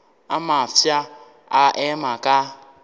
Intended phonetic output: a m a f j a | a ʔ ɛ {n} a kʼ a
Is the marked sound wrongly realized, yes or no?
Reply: yes